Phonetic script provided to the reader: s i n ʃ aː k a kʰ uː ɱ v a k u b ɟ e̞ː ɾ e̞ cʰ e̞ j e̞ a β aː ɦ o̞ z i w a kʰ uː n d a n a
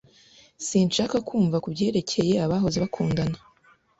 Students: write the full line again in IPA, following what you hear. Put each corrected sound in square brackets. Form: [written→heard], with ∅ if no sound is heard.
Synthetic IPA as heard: s i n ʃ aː k a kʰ uː ɱ v a k u b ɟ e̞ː ɾ e̞ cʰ e̞ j e̞ a β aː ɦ o̞ z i [w→β] a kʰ uː n d a n a